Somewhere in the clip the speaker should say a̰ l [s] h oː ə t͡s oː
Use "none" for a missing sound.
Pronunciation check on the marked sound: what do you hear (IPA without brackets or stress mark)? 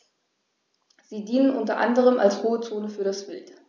s